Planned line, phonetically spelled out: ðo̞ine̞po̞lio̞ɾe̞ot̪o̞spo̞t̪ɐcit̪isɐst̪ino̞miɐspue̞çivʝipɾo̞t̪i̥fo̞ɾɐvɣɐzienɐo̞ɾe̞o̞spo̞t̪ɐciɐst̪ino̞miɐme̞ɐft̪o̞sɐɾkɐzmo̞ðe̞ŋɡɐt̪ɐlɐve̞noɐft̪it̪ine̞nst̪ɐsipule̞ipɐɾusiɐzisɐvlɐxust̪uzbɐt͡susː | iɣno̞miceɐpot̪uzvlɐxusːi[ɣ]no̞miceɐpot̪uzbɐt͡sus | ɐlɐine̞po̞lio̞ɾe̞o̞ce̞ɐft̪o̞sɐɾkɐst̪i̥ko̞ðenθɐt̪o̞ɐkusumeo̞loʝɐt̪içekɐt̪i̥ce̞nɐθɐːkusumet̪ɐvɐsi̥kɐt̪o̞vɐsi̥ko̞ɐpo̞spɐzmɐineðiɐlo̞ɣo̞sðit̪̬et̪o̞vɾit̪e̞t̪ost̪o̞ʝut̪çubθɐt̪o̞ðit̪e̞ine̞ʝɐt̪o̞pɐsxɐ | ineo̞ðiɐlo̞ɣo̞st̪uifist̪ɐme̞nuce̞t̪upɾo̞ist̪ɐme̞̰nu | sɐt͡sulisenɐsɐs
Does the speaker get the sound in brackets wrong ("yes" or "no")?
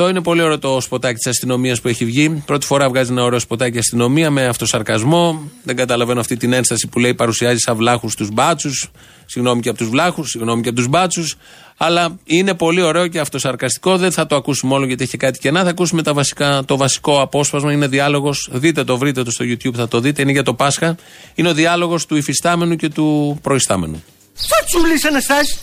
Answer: no